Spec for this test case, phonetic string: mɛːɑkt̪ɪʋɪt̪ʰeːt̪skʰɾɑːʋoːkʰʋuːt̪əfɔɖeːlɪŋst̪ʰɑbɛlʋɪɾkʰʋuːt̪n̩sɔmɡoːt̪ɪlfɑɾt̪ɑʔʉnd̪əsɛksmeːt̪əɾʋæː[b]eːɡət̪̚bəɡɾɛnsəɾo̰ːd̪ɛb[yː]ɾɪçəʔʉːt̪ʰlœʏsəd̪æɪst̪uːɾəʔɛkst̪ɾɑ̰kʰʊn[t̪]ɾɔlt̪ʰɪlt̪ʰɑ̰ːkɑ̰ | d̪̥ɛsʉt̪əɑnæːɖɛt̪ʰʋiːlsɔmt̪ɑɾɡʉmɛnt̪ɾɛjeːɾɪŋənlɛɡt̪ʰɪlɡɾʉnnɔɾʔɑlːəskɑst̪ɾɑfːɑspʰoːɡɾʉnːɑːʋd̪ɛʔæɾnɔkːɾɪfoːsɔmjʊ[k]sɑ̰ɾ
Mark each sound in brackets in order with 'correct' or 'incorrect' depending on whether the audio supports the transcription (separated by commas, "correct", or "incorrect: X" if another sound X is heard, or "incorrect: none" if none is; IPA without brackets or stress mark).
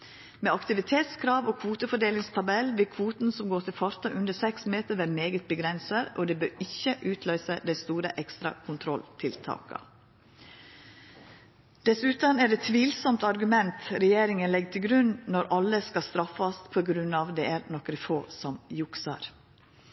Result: incorrect: m, incorrect: øː, incorrect: t̪ʰ, correct